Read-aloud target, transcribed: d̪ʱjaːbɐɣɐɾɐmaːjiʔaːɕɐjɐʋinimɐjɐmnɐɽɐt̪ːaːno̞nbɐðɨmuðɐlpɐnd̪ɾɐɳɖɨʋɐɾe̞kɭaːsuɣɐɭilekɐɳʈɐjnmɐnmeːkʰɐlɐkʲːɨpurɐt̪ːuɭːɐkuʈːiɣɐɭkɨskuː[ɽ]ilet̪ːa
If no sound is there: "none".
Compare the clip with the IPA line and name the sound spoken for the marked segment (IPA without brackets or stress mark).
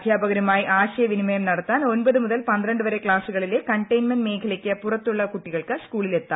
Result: ɭ